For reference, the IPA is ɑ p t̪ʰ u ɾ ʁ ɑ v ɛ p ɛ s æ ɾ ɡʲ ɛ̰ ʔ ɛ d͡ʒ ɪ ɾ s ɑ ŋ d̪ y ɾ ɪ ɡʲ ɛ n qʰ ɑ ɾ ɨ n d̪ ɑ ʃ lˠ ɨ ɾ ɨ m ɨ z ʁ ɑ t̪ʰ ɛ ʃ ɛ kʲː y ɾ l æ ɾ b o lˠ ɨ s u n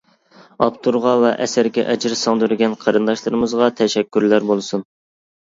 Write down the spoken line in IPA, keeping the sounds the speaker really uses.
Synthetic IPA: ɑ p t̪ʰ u ɾ ʁ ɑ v ɛ ʔ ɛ s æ ɾ ɡʲ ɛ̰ ʔ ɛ d͡ʒ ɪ ɾ s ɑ ŋ d̪ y ɾ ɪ ɡʲ ɛ n qʰ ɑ ɾ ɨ n d̪ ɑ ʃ lˠ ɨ ɾ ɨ m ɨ z ʁ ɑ t̪ʰ ɛ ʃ ɛ kʲː y ɾ l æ ɾ b o lˠ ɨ s u n